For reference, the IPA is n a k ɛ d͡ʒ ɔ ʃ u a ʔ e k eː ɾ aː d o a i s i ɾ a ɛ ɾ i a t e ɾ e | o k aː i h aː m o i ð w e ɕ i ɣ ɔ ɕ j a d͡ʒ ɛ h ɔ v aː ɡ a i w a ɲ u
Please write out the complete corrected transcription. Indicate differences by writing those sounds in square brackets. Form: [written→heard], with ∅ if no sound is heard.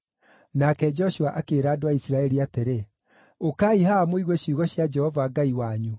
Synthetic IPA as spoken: n a k ɛ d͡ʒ ɔ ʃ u a ʔ [e→a] k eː ɾ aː d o a i s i ɾ a ɛ ɾ i a t e ɾ e | o k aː i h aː m o i [ð→ɣ] w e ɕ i ɣ ɔ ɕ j a d͡ʒ ɛ h ɔ v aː ɡ a i w a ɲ u